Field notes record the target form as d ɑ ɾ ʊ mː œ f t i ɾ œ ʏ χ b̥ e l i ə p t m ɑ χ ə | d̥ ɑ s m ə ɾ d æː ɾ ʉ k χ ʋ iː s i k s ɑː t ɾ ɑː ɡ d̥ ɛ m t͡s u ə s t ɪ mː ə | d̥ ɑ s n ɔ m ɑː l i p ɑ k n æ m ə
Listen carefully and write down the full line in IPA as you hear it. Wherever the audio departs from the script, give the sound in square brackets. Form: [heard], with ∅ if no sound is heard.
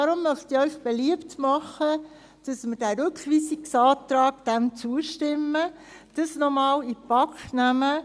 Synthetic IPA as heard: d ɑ ɾ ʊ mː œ [χ] t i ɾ œ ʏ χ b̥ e l i ə p t m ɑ χ ə | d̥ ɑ s m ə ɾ d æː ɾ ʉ k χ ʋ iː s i k s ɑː t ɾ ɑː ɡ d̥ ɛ m t͡s u ə [ʃ] t ɪ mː ə | d̥ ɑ s n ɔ m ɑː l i p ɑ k n æ m ə